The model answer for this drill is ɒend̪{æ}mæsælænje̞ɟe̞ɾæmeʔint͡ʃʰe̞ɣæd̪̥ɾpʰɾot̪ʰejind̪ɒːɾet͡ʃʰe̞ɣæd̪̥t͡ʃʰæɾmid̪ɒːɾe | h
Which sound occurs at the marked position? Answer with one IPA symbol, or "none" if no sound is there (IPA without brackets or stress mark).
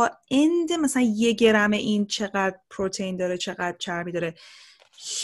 e